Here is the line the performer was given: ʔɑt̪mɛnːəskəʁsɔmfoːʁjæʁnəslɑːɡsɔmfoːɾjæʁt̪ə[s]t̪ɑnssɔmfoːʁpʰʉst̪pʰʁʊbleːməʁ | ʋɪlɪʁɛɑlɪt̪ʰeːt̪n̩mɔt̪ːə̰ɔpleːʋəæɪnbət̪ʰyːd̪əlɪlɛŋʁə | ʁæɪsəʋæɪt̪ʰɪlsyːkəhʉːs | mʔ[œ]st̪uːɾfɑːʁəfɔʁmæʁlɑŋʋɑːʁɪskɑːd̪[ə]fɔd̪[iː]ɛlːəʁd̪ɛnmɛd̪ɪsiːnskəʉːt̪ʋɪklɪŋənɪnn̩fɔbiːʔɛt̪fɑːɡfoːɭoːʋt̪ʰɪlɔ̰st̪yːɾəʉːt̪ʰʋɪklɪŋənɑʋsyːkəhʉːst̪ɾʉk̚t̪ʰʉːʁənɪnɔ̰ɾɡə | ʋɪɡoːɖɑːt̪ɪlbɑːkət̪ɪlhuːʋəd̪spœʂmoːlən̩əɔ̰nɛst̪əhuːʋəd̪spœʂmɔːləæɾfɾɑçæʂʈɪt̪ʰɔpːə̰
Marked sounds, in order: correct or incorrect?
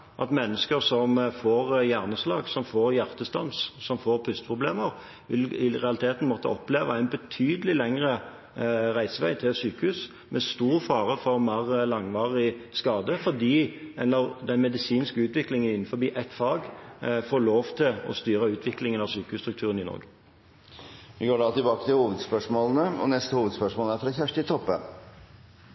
correct, incorrect: ɛ, correct, correct

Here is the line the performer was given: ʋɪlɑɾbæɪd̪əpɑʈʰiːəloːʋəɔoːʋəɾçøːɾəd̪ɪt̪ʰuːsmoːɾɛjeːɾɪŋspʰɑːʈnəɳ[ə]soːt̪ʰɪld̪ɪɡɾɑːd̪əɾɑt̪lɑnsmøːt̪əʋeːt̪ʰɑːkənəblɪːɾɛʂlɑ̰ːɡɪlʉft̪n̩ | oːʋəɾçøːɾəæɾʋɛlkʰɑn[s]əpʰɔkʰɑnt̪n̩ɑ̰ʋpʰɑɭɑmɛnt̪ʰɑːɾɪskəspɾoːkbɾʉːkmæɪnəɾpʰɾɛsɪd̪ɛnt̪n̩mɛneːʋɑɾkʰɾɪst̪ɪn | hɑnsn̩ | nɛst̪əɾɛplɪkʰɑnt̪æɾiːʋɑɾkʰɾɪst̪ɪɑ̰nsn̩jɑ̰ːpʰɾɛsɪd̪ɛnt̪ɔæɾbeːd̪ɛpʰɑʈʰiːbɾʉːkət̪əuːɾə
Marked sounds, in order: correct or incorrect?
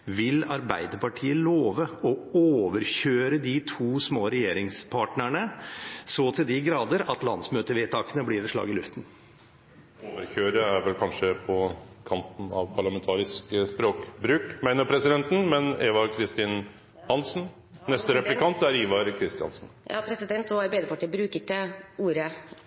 correct, incorrect: ʂ

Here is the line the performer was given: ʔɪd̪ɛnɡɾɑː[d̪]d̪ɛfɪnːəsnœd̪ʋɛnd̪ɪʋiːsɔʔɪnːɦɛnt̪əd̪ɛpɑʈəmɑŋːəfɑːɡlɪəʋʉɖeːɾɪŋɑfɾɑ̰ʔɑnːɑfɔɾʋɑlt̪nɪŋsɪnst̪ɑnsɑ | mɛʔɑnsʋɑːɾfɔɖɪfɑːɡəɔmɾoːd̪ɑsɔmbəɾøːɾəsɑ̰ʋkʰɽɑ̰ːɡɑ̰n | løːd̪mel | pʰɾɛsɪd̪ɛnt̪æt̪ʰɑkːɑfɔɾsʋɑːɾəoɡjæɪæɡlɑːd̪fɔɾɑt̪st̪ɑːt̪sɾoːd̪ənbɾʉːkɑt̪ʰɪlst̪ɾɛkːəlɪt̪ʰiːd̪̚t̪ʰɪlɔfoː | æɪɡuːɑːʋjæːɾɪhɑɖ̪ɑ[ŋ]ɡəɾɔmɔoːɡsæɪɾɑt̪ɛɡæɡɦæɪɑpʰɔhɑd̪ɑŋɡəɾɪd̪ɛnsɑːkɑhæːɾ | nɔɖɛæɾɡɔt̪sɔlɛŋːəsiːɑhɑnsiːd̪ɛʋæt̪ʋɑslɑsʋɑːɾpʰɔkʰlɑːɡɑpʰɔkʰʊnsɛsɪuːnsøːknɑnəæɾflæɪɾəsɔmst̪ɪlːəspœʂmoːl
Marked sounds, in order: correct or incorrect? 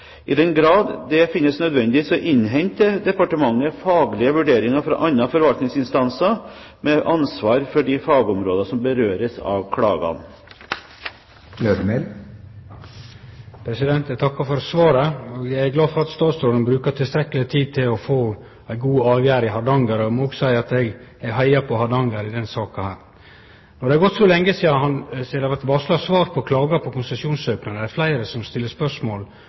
correct, correct

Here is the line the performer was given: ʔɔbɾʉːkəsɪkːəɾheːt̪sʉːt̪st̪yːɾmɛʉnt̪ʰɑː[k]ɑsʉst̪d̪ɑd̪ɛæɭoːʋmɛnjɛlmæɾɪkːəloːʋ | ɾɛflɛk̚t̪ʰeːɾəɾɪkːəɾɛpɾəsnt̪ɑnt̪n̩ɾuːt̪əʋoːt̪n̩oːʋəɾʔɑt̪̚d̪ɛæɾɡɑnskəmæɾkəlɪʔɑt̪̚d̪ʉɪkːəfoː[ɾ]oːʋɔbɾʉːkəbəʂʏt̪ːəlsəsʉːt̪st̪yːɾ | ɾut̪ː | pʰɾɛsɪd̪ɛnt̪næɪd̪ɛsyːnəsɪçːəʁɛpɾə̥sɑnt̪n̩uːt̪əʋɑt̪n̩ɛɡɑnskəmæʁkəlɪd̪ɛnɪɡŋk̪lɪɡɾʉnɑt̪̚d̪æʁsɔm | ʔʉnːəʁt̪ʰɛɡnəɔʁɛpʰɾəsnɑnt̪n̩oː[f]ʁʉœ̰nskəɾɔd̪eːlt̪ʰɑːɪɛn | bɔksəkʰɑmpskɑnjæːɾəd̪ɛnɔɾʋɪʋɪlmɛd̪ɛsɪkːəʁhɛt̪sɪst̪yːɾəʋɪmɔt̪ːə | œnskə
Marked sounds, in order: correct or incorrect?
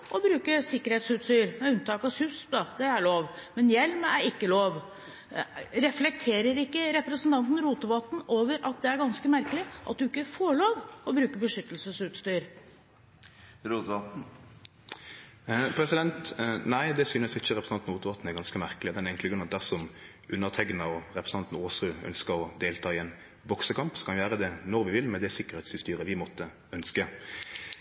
correct, incorrect: ɭ, incorrect: s

